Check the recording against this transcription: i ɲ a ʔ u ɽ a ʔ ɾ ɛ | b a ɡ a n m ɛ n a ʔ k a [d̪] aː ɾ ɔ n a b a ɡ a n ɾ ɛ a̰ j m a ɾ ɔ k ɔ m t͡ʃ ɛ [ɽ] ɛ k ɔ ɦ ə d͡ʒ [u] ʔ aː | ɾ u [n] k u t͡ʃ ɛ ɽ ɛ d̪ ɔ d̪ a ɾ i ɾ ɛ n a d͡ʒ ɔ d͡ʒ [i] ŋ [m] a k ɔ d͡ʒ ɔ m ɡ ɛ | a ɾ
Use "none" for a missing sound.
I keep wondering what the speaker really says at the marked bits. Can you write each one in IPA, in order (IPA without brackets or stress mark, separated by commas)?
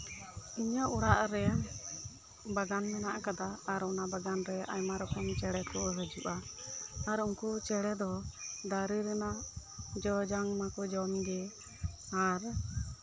d̪, ɽ, u, ŋ, a, m